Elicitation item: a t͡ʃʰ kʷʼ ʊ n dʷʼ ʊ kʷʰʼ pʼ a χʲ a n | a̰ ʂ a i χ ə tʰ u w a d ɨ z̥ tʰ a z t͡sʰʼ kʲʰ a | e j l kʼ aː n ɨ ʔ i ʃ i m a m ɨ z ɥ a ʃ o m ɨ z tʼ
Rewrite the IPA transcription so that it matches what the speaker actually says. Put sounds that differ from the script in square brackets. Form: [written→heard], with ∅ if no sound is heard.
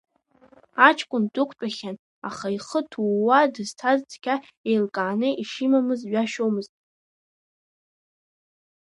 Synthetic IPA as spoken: a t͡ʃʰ kʷʼ ʊ n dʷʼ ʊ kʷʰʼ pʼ a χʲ a n | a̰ [ʂ→χ] a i χ ə tʰ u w a d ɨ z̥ tʰ a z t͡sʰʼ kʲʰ a | e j l kʼ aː n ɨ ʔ i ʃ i m a m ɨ z ɥ a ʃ o m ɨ z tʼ

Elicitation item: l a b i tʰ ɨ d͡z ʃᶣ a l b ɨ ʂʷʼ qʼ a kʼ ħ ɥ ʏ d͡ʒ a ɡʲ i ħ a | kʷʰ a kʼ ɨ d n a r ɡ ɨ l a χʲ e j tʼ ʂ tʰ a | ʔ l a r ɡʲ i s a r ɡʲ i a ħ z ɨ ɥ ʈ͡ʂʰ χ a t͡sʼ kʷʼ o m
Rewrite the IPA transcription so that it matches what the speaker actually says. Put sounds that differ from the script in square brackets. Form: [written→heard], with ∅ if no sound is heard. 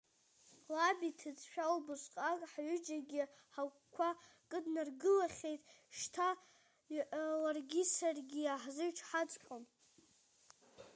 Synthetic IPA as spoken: l a b i tʰ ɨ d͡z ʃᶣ a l b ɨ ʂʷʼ qʼ a kʼ ħ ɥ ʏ d͡ʒ a ɡʲ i ħ a | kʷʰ a kʼ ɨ d n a r ɡ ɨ l a χʲ e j tʼ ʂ tʰ a | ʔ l a r ɡʲ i s a r ɡʲ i a ħ z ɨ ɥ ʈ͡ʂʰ [χ→ħ] a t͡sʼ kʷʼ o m

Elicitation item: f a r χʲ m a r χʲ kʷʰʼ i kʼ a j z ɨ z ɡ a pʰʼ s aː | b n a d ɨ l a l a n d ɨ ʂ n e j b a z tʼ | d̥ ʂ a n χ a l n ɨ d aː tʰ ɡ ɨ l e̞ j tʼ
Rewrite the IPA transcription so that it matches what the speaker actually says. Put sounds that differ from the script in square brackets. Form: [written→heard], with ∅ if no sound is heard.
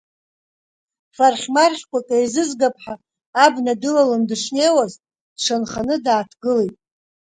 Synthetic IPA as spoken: f a r χʲ m a r χʲ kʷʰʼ [i→a] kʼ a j z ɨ z ɡ a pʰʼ [s→ħ] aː | b n a d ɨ l a l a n d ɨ ʂ n e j [b→w] a z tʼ | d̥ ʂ a n χ a [l→∅] n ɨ d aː tʰ ɡ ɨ l e̞ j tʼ

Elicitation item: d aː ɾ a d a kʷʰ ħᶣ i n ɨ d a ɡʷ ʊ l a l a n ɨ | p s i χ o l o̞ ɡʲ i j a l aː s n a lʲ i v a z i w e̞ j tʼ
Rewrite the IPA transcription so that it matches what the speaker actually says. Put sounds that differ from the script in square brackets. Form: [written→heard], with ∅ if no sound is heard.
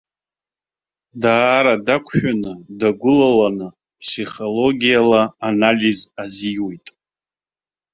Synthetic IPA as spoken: d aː ɾ a d a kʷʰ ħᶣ [i→a] n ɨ d a ɡʷ ʊ l a l a n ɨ | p s i χ o l o̞ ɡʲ i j a l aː [s→∅] n a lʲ i [v→z] a z i w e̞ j tʼ

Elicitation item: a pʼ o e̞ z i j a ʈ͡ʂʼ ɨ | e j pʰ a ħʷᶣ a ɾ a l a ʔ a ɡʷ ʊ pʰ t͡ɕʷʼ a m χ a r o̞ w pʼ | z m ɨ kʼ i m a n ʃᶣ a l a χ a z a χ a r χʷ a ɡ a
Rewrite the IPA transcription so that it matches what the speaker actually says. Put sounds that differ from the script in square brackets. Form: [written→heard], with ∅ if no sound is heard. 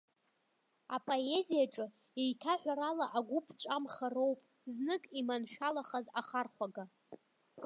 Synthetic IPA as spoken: a pʼ o e̞ z i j a ʈ͡ʂʼ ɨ | e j [pʰ→tʰ] a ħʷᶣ a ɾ a l a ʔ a ɡʷ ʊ pʰ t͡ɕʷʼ a m χ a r o̞ w pʼ | z [m→n] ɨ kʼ i m a n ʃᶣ a l a χ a z a χ a r χʷ a ɡ a

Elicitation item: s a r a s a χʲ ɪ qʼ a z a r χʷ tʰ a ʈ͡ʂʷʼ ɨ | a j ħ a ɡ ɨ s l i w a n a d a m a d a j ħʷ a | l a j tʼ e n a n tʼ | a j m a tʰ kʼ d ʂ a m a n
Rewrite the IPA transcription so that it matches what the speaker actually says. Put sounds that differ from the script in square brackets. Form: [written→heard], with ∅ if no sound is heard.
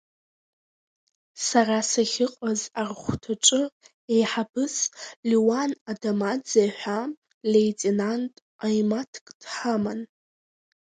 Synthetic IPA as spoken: s a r a s a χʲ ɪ qʼ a z a r χʷ tʰ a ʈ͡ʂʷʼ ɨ | [a→e] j ħ a [ɡ→b] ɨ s l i w a n a d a m a [d→d͡z] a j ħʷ a | l [a→e] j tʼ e n a n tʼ | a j m a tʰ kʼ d [ʂ→ħ] a m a n

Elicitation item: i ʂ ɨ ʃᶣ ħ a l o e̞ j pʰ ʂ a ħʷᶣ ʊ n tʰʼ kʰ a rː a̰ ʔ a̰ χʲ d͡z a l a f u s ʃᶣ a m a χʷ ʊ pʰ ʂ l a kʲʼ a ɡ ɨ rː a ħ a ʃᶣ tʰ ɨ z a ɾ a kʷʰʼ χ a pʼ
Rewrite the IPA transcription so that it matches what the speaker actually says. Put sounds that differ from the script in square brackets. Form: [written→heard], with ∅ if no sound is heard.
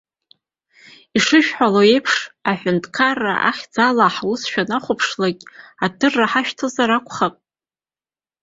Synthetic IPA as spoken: i ʂ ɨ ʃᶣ ħ a l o e̞ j pʰ ʂ a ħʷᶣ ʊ n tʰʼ kʰ a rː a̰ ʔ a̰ χʲ d͡z a l a [f→ħ] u s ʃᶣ a [m→n] a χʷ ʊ pʰ ʂ l a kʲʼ a [ɡ→d] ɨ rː a ħ a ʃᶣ tʰ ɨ z a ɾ a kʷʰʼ χ a pʼ

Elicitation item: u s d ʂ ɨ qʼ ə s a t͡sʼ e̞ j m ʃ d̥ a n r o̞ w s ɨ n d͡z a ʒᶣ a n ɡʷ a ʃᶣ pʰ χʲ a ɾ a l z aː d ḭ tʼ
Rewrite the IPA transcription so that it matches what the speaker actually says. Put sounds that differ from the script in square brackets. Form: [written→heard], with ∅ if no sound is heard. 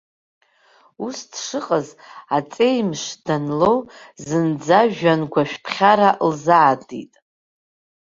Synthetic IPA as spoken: u s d ʂ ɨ qʼ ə [s→z] a t͡sʼ e̞ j m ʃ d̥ a n [r→l] o̞ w [s→z] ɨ n d͡z a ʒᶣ a n ɡʷ a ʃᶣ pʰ χʲ a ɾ a l z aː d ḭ tʼ

